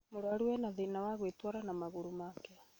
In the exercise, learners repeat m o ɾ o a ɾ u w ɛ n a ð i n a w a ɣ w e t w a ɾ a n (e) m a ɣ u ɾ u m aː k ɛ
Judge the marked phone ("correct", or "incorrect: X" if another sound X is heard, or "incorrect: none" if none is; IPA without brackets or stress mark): incorrect: a